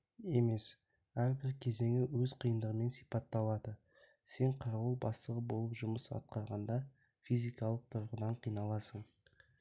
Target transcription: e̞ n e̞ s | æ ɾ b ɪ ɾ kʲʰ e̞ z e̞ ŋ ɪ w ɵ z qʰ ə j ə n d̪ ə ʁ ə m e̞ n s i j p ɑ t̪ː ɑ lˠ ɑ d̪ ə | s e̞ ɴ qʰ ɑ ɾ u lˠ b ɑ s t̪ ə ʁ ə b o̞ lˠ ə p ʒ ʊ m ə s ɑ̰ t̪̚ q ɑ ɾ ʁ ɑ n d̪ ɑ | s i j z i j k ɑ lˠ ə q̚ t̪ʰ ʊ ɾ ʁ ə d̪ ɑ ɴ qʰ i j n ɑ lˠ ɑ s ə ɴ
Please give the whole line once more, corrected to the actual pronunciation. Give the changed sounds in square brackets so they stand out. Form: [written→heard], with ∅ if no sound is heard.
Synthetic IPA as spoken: e̞ [n→m] e̞ s | æ ɾ b ɪ ɾ kʲʰ e̞ z e̞ ŋ ɪ w ɵ z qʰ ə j ə n d̪ ə ʁ ə m e̞ n s i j p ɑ t̪ː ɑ lˠ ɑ d̪ ə | s e̞ ɴ qʰ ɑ ɾ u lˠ b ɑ s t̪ ə ʁ ə b o̞ lˠ ə p ʒ ʊ m ə s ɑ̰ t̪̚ q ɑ ɾ ʁ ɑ n d̪ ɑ | [s→f] i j z i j k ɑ lˠ ə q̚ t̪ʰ ʊ ɾ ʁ ə d̪ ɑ ɴ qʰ i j n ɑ lˠ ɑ s ə ɴ